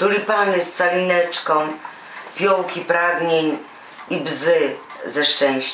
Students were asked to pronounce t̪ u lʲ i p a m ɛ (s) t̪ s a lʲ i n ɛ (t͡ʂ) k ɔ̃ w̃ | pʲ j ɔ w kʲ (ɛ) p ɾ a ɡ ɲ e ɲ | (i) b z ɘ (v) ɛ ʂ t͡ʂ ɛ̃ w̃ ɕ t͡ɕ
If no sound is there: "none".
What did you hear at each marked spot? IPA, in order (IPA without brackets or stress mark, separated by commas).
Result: s, t͡ʂ, i, i, z